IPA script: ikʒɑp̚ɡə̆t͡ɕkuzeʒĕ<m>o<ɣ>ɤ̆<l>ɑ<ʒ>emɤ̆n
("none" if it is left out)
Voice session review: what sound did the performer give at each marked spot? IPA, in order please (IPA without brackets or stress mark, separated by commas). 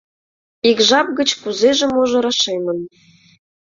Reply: m, ʒ, ɾ, ʃ